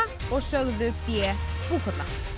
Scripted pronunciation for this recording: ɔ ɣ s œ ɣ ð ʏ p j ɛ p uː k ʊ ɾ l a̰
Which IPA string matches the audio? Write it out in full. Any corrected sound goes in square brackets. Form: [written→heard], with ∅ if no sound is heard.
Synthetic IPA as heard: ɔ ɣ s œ ɣ ð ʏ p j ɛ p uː k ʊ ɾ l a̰